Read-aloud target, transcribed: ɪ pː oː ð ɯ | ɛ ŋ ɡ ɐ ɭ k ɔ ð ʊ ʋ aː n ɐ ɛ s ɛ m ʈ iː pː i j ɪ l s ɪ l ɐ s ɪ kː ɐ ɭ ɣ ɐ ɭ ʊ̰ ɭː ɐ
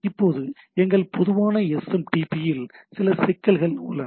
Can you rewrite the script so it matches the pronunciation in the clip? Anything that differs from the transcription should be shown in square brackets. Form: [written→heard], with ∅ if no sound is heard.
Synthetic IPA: ɪ pː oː ð ɯ | ɛ ŋ ɡ ɐ ɭ [k→p] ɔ ð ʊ ʋ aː n ɐ ɛ s ɛ m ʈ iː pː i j ɪ l s ɪ l ɐ s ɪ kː ɐ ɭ ɣ ɐ ɭ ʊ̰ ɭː ɐ